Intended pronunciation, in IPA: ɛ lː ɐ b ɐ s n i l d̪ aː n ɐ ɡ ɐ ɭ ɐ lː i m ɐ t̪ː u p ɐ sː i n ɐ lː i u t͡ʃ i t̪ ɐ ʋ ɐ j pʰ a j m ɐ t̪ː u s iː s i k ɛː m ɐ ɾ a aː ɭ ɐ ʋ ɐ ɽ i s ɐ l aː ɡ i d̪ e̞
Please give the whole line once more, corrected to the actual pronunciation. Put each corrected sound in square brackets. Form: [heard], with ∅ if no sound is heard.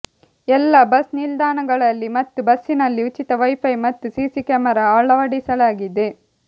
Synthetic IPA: ɛ lː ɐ b ɐ s n i l d̪ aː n ɐ ɡ ɐ ɭ ɐ lː i m ɐ t̪ː u [b] ɐ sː i n ɐ lː i u t͡ʃ i t̪ ɐ ʋ ɐ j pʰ [ɐ] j m ɐ t̪ː u s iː s i k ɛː m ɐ ɾ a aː ɭ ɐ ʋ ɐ ɽ i s ɐ l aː ɡ i d̪ e̞

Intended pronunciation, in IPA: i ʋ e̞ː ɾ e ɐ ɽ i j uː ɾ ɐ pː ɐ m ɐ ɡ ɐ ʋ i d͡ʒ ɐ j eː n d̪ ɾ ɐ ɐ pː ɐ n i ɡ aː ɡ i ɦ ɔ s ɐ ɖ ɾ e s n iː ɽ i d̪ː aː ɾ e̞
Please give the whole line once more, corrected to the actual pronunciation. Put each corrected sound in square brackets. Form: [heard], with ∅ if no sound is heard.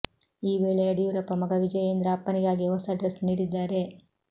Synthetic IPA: [iː] ʋ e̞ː [ɭ] e ɐ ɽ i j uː ɾ ɐ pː ɐ m ɐ ɡ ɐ ʋ i d͡ʒ ɐ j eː n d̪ ɾ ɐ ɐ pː ɐ n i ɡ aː ɡ i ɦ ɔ s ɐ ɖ ɾ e s n iː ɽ i d̪ː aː ɾ e̞

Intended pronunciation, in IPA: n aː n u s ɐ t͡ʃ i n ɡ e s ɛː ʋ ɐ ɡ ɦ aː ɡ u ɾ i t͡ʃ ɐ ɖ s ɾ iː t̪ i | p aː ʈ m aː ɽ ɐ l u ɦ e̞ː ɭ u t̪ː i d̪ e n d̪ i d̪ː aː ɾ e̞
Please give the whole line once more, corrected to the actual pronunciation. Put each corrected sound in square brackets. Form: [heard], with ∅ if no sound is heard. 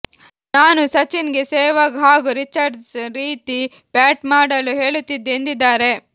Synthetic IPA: n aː n u s ɐ t͡ʃ i n ɡ e s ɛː ʋ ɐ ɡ ɦ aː ɡ u ɾ i t͡ʃ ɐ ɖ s ɾ iː t̪ i | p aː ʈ m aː ɽ ɐ l u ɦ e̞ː ɭ u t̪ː i d̪ e n d̪ i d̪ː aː ɾ e̞

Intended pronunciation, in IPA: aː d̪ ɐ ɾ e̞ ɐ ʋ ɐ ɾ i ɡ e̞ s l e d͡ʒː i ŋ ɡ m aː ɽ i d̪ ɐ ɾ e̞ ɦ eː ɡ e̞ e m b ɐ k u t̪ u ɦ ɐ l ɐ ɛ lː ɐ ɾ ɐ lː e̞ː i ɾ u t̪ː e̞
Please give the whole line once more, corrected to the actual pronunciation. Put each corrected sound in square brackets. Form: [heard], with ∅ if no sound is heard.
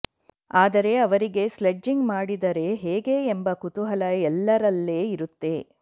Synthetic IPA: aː d̪ ɐ ɾ e̞ ɐ ʋ ɐ ɾ i ɡ e̞ s l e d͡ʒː i ŋ ɡ m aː ɽ i d̪ ɐ ɾ e̞ ɦ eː ɡ e̞ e m b ɐ k u t̪ u ɦ ɐ l ɐ ɛ lː ɐ ɾ ɐ lː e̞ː i ɾ u t̪ː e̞

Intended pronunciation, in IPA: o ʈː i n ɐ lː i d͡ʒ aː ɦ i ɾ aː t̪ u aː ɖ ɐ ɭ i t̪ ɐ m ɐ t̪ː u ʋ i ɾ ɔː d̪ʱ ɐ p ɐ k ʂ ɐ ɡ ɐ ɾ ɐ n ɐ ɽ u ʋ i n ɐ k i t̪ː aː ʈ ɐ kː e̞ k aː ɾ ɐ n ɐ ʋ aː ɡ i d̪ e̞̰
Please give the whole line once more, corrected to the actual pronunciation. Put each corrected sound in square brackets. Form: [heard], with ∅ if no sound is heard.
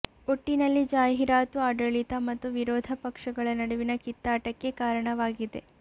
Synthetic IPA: o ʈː i n ɐ lː i d͡ʒ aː ɦ i ɾ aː t̪ u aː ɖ ɐ ɭ i t̪ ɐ m ɐ t̪ː u ʋ i ɾ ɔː d̪ʱ ɐ p ɐ k ʂ ɐ ɡ ɐ [ɭ] ɐ n ɐ ɽ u ʋ i n ɐ k i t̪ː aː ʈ ɐ kː e̞ k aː ɾ ɐ [ɳ] ɐ ʋ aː ɡ i d̪ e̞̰

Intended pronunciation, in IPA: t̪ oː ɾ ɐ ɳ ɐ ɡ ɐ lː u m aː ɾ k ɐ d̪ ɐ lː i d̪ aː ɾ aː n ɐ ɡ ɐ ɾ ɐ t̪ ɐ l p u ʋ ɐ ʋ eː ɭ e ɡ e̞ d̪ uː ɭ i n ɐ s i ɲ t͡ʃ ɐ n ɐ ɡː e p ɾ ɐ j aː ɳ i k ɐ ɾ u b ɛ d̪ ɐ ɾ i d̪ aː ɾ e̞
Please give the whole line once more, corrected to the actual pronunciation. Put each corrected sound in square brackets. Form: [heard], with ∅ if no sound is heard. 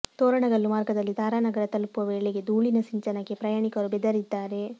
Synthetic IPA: t̪ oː ɾ ɐ ɳ ɐ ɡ ɐ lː u m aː ɾ [ɡ] ɐ d̪ ɐ lː i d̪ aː ɾ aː n ɐ ɡ ɐ ɾ ɐ t̪ ɐ l p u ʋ ɐ ʋ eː ɭ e ɡ e̞ d̪ uː ɭ i n ɐ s i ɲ t͡ʃ ɐ n ɐ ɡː e p ɾ ɐ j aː ɳ i k ɐ ɾ u b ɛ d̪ ɐ ɾ i [d̪ː] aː ɾ e̞

